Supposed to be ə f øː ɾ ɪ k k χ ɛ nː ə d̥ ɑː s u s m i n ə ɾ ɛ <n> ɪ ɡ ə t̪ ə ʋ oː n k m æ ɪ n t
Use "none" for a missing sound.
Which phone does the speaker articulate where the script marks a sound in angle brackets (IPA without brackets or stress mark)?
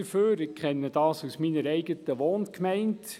none